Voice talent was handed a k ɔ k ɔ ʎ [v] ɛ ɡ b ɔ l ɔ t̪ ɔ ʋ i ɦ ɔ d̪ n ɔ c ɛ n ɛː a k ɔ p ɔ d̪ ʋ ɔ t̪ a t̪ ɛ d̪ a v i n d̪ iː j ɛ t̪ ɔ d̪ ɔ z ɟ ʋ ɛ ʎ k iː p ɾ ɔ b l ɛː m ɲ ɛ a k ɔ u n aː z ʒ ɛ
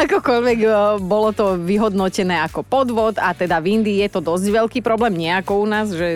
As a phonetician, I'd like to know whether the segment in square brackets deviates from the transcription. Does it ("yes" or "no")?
yes